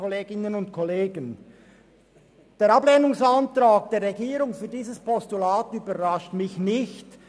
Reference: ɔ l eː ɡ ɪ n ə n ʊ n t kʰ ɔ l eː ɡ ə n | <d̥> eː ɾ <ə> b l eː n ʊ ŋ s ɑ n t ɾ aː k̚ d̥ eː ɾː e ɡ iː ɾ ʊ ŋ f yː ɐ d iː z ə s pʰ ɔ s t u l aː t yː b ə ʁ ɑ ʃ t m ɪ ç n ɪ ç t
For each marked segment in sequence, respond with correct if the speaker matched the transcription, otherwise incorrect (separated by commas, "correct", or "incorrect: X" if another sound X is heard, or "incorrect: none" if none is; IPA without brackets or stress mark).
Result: correct, incorrect: ɑ